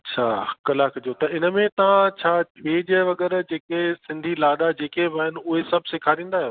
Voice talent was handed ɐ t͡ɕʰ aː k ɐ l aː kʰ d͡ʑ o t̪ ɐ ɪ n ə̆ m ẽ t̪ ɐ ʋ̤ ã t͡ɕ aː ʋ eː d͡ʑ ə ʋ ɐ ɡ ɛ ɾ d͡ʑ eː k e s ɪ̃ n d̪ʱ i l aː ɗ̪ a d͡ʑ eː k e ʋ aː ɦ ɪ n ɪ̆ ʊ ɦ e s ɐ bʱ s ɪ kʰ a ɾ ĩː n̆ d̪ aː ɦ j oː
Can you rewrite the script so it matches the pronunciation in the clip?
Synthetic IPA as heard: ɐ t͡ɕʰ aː k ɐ l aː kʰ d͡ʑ o t̪ ɐ ɪ n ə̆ m ẽ t̪ ɐ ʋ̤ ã t͡ɕʰ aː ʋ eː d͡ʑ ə ʋ ɐ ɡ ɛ ɾ d͡ʑ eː k e s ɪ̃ n d̪ʱ i l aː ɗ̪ a d͡ʑ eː k e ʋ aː ɦ ɪ n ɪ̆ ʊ ɦ e s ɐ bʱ s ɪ kʰ a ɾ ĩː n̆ d̪ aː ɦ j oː